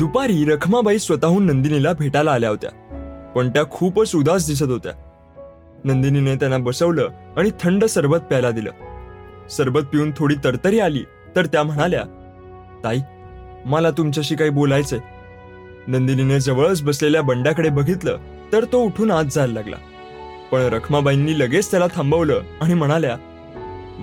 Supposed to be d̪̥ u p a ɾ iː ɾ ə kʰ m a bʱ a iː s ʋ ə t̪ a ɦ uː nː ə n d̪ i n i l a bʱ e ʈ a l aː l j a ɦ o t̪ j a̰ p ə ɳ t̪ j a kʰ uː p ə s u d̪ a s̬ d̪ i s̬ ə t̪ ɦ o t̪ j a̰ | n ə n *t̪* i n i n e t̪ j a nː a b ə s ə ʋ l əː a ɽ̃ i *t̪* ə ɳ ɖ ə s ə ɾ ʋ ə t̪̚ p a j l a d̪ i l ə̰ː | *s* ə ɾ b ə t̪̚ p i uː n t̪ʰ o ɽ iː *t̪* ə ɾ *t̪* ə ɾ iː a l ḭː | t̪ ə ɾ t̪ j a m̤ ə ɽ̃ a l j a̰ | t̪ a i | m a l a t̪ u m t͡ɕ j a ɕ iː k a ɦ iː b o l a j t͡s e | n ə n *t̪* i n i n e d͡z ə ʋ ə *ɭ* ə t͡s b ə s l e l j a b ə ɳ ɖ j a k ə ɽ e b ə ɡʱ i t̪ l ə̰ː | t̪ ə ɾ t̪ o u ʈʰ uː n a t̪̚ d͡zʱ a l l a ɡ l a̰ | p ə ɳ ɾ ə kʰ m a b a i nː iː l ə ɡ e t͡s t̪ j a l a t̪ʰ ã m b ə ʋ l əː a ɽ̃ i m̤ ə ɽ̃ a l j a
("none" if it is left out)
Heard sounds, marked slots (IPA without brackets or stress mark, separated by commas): d̪, t̪ʰ, s, t̪, t̪, d̪, ɭ